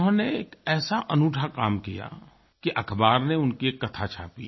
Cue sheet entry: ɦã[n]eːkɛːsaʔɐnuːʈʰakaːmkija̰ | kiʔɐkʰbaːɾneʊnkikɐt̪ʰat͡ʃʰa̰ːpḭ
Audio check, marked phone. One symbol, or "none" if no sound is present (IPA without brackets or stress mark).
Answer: n